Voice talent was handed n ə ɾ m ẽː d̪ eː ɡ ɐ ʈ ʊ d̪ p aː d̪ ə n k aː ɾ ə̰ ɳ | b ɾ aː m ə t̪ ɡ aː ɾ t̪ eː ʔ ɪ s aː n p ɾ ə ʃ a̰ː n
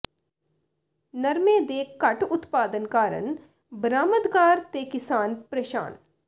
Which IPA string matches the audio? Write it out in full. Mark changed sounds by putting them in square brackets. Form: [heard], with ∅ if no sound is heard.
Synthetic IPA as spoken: n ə ɾ m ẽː d̪ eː [k] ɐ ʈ ʊ [t̪] p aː d̪ ə n k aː ɾ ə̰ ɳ | b ɾ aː m ə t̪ ɡ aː ɾ t̪ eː [k] ɪ s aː n p ɾ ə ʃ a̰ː n